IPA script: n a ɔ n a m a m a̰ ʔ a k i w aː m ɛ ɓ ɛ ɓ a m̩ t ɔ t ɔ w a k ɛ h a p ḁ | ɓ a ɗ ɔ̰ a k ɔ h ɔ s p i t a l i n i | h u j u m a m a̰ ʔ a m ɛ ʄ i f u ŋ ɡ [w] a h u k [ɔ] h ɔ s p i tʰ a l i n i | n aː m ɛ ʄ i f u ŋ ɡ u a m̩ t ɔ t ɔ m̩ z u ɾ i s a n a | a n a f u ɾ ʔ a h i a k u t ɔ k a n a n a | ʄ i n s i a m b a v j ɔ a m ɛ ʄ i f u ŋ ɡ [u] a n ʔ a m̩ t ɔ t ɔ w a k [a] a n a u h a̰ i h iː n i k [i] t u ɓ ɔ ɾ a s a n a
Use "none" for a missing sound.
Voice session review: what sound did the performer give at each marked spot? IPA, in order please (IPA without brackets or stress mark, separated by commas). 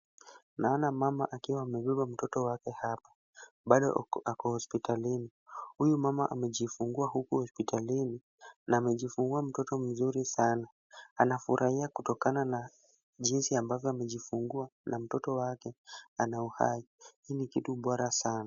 u, u, u, ɛ, i